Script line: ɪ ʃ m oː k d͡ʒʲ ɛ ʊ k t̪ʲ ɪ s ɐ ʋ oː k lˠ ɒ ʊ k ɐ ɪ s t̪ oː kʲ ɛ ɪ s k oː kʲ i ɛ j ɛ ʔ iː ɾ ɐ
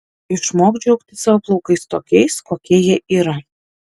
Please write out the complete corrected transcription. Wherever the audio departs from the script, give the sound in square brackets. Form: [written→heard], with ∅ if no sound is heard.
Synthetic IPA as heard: ɪ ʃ m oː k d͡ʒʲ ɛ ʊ k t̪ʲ ɪ s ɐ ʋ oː [k→p] lˠ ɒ ʊ k ɐ ɪ s t̪ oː kʲ ɛ ɪ s k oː kʲ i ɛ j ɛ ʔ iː ɾ ɐ